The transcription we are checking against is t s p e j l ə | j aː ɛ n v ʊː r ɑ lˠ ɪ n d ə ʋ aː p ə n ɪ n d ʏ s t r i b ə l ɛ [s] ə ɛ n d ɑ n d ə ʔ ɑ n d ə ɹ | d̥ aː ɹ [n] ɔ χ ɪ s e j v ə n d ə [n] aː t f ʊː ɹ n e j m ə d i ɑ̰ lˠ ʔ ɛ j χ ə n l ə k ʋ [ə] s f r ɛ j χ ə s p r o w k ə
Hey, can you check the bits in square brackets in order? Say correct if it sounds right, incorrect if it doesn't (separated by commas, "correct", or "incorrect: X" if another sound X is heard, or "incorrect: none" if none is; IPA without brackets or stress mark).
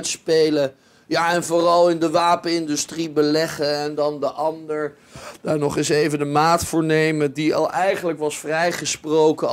incorrect: χ, correct, incorrect: m, incorrect: ɑ